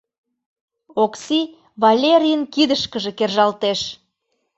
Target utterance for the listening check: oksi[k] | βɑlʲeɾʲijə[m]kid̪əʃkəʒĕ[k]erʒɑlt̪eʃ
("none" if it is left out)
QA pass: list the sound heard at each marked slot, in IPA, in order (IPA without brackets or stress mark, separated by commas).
none, n, k